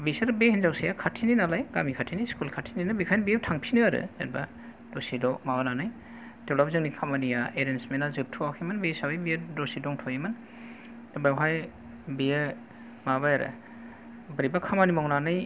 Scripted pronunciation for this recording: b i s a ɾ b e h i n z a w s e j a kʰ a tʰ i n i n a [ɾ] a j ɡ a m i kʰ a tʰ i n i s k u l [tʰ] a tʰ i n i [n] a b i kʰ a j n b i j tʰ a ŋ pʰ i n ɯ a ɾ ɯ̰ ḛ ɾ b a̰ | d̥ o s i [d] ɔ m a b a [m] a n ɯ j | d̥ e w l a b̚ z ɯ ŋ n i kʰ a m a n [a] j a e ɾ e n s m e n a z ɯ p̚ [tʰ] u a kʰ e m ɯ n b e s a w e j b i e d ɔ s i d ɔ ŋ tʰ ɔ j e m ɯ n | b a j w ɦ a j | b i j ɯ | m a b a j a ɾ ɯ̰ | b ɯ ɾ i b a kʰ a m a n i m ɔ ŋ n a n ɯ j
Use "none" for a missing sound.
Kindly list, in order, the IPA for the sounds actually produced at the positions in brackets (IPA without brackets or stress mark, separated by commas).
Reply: l, kʰ, n, d, n, i, tʰ